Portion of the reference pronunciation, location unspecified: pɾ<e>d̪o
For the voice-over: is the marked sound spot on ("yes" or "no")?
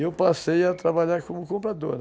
no